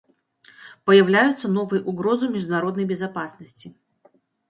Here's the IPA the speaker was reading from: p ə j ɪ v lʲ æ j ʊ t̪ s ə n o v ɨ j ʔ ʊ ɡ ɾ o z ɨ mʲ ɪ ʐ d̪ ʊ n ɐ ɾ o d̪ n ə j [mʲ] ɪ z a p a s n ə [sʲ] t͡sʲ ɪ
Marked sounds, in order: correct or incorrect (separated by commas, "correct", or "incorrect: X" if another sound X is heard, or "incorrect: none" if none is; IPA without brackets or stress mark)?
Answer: incorrect: bʲ, correct